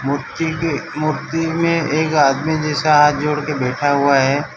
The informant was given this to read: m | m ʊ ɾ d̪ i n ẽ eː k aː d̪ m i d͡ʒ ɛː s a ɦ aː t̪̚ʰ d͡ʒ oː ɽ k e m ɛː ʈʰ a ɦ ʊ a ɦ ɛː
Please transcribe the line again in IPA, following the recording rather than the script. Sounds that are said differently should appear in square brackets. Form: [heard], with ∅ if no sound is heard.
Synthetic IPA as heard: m | m ʊ ɾ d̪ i [m] ẽ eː k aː d̪ m i d͡ʒ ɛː s a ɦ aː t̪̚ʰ d͡ʒ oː ɽ k e [b] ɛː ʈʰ a ɦ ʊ a ɦ ɛː